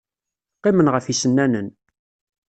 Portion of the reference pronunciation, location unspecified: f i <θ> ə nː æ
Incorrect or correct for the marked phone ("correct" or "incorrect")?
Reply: incorrect